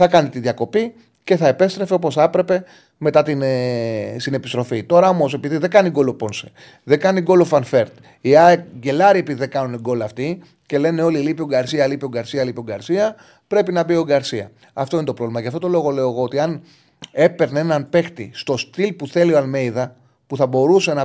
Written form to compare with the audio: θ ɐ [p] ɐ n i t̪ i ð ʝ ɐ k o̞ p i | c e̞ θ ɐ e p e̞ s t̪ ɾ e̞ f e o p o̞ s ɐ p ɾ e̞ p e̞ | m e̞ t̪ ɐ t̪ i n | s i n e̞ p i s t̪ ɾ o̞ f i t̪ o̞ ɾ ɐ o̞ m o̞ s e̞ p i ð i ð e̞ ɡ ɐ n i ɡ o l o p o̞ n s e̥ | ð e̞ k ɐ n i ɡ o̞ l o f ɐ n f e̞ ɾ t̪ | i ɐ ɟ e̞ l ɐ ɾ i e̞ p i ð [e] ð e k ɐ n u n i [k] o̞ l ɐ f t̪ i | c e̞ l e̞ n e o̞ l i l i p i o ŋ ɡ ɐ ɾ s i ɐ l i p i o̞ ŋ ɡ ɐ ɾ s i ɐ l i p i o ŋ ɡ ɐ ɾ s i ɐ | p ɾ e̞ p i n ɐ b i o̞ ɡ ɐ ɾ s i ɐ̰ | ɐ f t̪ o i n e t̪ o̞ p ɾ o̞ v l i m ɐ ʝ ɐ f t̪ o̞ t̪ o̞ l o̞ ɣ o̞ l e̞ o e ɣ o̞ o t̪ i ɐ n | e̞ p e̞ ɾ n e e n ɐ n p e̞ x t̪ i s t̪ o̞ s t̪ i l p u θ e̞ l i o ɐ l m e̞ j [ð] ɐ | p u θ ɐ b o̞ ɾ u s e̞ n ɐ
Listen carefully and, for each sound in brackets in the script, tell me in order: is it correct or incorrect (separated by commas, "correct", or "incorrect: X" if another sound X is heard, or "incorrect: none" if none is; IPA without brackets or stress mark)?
incorrect: k, incorrect: i, incorrect: ɡ, correct